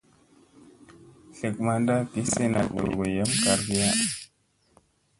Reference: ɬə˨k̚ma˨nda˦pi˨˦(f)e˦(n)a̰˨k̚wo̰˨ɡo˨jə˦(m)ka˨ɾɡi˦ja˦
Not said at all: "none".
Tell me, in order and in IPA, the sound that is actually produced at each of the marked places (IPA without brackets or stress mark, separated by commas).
s, n, m